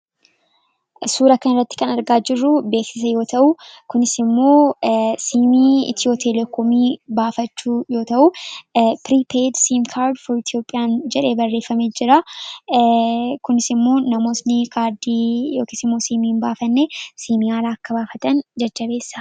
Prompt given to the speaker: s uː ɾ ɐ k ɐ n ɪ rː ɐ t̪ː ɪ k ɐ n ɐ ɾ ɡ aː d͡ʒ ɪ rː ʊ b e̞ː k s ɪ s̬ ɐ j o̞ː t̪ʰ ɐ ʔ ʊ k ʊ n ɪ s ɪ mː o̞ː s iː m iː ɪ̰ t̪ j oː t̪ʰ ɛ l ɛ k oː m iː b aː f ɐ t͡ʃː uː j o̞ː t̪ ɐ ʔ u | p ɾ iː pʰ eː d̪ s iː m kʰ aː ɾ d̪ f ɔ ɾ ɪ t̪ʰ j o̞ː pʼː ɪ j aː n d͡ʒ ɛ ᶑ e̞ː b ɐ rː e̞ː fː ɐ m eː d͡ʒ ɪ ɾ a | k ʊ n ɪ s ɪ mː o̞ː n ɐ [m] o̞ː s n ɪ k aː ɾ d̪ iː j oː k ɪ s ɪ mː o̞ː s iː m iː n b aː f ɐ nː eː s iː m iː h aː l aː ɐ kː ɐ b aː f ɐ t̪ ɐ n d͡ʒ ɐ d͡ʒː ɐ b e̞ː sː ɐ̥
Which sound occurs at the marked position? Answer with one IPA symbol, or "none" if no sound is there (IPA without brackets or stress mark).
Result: m